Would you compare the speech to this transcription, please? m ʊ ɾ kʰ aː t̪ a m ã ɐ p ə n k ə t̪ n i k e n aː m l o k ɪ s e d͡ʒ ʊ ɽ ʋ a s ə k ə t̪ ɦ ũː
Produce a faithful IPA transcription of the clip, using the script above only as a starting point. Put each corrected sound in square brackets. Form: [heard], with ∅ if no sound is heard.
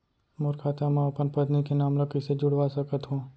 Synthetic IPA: m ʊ ɾ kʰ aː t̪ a m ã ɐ p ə n [p] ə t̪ n i k e n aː m l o k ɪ s e d͡ʒ ʊ ɽ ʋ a s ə k ə t̪ ɦ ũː

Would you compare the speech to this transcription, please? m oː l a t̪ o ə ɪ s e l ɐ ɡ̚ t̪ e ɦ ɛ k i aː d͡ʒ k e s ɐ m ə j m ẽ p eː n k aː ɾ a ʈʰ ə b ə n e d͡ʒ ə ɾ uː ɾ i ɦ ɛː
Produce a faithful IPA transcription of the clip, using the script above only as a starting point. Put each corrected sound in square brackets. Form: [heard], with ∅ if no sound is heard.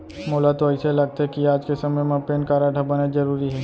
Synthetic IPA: m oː l a t̪ o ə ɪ s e l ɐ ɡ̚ t̪ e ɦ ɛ k i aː d͡ʒ k e s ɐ m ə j m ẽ p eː n k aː ɾ a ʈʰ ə b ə n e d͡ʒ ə ɾ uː ɾ i ɦ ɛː

